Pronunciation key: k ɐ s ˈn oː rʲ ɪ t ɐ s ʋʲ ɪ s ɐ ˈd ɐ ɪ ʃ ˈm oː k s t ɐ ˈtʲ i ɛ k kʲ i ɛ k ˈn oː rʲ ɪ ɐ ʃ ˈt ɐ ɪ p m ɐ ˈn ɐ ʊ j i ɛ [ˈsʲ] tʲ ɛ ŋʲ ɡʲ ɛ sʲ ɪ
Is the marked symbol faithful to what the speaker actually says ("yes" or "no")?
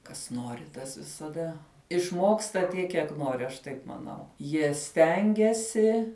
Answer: yes